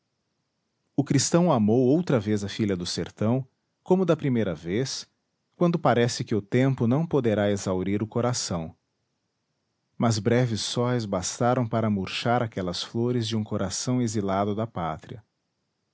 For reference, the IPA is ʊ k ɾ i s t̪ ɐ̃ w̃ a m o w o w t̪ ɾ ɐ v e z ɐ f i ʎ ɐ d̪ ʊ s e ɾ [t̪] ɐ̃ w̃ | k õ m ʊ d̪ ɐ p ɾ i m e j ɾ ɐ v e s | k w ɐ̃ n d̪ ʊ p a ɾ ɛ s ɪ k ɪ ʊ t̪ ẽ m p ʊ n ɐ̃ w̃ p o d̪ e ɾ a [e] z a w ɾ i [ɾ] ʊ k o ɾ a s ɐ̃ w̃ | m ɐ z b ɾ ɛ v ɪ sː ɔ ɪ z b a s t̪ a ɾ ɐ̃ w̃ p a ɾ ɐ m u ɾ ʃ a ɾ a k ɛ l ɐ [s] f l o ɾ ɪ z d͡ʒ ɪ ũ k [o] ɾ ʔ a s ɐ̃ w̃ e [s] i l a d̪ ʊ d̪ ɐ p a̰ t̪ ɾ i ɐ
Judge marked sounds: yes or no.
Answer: yes, yes, yes, yes, yes, no

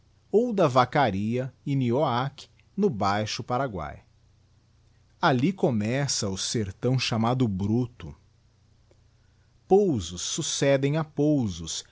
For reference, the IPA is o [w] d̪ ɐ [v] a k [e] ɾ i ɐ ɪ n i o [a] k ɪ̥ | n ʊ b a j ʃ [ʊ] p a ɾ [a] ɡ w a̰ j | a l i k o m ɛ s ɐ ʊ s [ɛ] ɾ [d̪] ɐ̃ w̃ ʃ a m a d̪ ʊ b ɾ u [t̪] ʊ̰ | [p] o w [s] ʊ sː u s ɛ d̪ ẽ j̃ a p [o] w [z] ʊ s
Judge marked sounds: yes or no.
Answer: yes, yes, no, yes, yes, yes, no, no, yes, yes, no, yes, yes

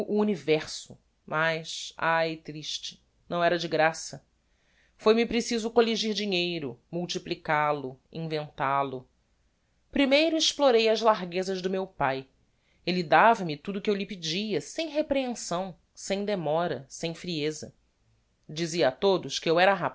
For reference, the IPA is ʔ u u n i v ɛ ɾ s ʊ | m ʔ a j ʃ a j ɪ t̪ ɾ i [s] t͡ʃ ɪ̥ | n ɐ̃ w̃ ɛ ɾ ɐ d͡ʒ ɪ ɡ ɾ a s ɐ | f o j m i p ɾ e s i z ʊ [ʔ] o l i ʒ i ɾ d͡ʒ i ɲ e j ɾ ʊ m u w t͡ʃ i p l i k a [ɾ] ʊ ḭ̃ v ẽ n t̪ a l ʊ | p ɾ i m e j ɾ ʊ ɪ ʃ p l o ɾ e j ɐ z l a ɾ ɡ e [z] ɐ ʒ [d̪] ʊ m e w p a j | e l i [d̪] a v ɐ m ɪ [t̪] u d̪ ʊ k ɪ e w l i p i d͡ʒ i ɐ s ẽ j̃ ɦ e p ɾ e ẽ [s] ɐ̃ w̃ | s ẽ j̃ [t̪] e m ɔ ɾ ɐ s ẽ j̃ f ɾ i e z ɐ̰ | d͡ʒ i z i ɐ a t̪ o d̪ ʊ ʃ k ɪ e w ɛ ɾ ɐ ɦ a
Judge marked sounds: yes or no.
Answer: no, no, no, yes, yes, yes, yes, yes, no

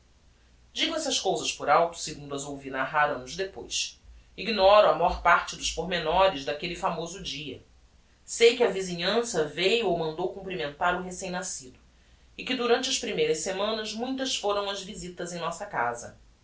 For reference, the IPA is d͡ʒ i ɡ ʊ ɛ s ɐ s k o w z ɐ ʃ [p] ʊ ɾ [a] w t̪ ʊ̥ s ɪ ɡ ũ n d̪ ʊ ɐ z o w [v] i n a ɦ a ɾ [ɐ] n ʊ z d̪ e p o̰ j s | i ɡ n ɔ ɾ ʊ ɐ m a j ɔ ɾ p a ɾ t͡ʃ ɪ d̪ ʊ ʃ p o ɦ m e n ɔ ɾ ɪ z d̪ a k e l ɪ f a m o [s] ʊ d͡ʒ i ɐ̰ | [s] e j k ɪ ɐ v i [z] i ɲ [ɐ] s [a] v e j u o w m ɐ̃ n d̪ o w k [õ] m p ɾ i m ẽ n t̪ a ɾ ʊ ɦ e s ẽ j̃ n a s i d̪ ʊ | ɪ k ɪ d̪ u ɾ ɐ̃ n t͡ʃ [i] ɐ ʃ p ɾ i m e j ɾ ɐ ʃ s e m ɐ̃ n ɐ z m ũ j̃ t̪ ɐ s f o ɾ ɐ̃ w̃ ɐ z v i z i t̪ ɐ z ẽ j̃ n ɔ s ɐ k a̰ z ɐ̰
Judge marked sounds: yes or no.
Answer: yes, yes, yes, no, no, yes, yes, no, no, no, no

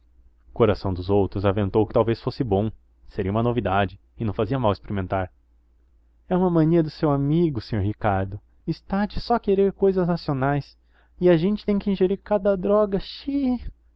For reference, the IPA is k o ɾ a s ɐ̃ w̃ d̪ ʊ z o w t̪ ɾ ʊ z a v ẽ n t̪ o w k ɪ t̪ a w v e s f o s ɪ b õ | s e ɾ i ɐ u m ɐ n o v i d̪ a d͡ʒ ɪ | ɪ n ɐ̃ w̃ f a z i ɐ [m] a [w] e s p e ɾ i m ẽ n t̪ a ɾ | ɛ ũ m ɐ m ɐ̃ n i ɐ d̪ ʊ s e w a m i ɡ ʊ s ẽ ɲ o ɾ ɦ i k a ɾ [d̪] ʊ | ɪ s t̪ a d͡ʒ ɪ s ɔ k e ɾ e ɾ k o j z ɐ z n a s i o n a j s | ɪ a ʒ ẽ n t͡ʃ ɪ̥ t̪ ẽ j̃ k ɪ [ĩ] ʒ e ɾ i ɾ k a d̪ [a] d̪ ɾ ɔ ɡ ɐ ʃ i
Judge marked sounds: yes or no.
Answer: yes, yes, yes, yes, no

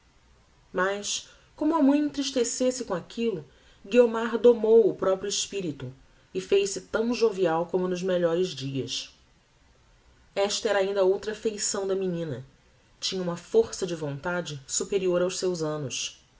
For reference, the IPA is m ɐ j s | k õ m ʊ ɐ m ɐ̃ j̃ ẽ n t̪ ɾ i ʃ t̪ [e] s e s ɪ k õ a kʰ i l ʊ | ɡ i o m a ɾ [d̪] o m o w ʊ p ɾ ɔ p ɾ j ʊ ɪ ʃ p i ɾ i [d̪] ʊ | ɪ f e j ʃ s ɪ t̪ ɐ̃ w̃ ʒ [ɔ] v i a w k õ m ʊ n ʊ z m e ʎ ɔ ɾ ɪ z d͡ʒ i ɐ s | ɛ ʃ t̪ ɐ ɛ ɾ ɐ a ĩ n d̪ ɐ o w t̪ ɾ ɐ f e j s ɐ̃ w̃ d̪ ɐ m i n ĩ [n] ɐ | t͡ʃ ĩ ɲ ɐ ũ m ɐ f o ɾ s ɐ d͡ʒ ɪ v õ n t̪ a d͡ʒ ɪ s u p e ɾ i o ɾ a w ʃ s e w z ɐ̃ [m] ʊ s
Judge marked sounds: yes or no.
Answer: yes, yes, no, no, yes, no

